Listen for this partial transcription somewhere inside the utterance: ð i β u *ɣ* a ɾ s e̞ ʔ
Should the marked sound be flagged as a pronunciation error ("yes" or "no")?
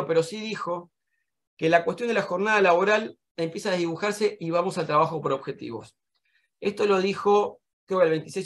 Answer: yes